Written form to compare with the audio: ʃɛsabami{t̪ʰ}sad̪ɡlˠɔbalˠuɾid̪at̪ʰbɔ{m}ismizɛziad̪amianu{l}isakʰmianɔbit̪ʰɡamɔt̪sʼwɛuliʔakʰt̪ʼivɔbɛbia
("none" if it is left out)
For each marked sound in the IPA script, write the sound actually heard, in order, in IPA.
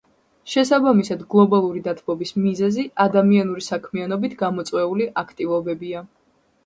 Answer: none, b, ɾ

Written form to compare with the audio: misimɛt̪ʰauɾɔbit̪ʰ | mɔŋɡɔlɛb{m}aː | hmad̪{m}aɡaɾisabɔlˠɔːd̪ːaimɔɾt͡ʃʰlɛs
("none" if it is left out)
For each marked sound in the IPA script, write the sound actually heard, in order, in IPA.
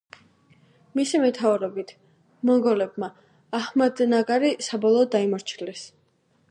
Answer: m, n

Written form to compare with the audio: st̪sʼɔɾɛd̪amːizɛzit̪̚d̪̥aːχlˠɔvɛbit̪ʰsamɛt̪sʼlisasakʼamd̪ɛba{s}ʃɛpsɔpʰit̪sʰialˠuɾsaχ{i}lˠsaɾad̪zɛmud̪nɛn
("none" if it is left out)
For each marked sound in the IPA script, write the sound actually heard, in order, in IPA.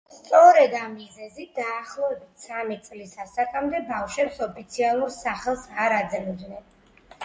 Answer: f, ɛ

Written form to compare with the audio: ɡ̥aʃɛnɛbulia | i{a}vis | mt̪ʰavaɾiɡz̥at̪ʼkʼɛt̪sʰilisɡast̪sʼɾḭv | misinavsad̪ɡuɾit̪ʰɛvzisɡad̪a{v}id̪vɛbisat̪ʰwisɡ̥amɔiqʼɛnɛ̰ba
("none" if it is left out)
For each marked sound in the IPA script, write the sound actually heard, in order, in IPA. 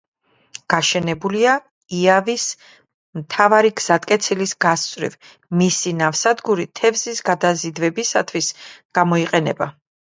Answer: a, z

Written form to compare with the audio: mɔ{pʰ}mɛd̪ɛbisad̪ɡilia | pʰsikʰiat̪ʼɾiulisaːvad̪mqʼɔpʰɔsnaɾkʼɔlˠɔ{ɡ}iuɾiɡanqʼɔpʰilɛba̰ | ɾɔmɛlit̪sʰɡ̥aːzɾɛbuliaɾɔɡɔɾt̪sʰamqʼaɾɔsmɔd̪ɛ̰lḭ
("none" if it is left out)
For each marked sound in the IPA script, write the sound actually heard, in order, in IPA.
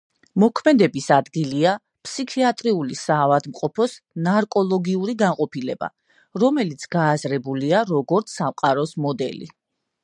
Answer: kʰ, ɡ

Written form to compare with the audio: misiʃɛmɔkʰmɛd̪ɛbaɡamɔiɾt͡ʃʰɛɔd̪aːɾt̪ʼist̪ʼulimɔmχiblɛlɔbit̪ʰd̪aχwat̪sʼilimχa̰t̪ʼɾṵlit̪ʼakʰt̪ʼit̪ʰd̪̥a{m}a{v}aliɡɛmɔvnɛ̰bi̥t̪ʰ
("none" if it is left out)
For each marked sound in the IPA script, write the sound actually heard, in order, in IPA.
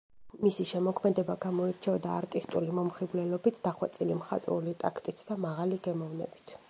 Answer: m, ʁ

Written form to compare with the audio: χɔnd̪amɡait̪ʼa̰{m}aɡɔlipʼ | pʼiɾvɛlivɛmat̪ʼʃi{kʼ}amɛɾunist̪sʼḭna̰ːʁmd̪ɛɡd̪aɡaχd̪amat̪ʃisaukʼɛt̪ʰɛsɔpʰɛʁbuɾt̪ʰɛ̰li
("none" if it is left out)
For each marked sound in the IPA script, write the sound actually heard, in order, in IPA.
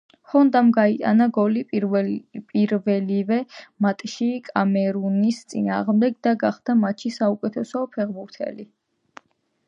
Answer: n, kʼ

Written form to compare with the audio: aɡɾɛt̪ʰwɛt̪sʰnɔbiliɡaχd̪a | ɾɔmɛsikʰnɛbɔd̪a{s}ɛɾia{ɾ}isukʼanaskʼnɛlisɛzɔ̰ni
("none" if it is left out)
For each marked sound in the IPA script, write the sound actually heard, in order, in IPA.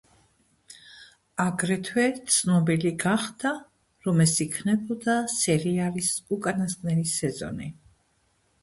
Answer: s, l

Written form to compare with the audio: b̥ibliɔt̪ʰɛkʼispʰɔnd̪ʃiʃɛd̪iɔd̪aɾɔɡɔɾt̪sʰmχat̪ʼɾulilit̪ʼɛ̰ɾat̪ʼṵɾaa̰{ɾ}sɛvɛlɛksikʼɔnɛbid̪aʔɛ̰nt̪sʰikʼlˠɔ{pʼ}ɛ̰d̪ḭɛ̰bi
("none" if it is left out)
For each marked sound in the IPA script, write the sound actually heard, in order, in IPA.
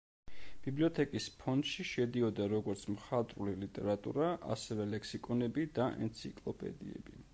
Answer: none, pʼ

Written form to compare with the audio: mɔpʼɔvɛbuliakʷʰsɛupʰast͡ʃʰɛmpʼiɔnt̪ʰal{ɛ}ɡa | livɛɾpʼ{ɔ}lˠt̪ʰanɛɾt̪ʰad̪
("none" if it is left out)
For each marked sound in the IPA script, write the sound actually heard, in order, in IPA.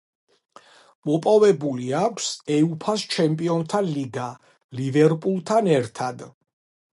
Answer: i, u

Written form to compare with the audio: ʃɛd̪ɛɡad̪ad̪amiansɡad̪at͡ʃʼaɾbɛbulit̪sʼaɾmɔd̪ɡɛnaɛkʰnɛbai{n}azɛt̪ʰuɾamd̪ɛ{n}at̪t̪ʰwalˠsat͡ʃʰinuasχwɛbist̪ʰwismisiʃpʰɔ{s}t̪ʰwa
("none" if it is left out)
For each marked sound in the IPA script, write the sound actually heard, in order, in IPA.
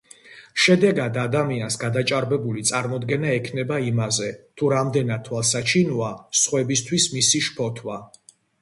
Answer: m, n, none

